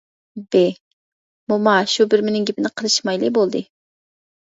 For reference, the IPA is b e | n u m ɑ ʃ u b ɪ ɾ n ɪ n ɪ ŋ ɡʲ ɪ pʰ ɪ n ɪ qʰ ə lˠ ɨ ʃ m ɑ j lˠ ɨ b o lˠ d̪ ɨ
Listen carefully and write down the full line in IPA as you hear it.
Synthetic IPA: b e | m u m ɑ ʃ u b ɪ ɾ m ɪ n ɪ ŋ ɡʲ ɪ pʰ ɪ n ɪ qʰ ə lˠ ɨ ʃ m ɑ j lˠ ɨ b o lˠ d̪ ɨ